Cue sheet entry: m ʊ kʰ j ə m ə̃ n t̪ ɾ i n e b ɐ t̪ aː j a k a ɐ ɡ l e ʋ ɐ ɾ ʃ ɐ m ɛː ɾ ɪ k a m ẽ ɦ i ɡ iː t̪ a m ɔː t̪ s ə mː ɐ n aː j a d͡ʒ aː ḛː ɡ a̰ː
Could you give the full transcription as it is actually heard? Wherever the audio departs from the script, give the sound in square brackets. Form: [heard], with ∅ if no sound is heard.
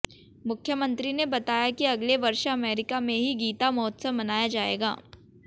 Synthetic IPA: m ʊ kʰ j ə m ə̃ n t̪ ɾ i n e b ɐ t̪ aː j a k [i] ɐ ɡ l e ʋ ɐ ɾ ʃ ɐ m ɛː ɾ ɪ k a m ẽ ɦ i ɡ iː t̪ a m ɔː t̪ s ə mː ɐ n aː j a d͡ʒ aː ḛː ɡ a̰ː